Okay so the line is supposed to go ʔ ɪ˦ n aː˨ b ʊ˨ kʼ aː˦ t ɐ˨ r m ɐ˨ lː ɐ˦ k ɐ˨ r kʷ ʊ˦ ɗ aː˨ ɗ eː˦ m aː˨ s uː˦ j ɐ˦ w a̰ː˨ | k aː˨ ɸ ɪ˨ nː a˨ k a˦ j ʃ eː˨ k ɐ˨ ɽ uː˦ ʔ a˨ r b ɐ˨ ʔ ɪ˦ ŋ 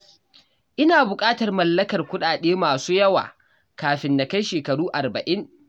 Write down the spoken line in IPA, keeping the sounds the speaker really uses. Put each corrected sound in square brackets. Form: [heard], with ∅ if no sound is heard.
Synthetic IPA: ʔ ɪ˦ n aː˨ b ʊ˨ kʼ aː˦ t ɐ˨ r m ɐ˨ lː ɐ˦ k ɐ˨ r kʷ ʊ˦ ɗ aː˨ ɗ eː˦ m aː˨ s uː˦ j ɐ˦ w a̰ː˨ | k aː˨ ɸ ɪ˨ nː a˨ k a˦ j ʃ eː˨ k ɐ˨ ɽ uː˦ ʔ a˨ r b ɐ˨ ʔ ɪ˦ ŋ

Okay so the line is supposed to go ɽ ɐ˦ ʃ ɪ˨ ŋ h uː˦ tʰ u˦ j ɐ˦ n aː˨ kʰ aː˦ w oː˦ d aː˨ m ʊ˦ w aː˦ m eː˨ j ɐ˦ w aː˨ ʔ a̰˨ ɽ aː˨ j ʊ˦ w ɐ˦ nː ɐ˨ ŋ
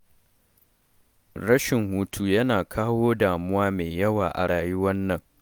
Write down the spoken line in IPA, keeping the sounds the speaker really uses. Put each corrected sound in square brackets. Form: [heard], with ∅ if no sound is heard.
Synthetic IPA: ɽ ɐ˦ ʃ ɪ˨ ŋ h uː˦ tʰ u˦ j ɐ˦ n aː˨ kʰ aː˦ w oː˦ d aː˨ m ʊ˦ w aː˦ m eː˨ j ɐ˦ w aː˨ ʔ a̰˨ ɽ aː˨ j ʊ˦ w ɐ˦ nː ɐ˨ ŋ

